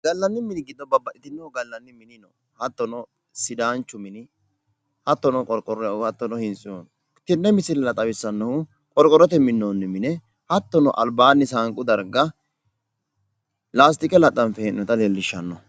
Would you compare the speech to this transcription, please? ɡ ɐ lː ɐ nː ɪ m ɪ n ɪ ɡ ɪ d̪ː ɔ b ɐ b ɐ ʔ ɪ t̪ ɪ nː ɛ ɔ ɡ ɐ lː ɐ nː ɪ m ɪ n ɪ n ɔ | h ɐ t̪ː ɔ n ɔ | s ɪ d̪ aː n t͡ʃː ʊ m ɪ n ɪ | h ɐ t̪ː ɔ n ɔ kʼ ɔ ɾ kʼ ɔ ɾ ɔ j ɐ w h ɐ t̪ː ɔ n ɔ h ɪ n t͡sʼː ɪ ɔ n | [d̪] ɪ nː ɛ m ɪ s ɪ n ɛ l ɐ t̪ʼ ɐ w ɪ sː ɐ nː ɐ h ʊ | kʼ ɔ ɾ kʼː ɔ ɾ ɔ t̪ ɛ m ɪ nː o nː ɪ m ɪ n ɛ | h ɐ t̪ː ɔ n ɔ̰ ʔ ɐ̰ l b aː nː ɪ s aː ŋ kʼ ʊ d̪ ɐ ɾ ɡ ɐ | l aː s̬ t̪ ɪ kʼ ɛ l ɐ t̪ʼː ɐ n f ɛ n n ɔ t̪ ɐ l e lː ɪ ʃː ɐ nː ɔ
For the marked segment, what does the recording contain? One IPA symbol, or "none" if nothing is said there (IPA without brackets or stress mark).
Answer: t̪